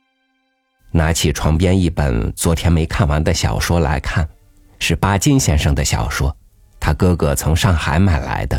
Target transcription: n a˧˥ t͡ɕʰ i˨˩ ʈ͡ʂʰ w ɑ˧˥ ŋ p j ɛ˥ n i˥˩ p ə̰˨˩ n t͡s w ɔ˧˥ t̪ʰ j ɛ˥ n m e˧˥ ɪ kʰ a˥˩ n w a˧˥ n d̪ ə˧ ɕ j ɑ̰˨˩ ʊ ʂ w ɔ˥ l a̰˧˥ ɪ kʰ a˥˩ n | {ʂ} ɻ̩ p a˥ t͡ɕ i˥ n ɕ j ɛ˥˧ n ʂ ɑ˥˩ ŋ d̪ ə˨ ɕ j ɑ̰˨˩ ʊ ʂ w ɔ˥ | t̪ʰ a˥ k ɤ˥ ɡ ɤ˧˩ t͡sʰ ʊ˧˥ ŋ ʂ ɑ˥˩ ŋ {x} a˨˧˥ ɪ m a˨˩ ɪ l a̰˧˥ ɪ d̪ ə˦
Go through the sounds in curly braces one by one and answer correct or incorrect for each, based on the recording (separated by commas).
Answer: correct, correct